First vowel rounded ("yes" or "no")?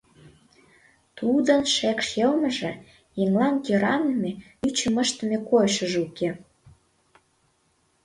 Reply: yes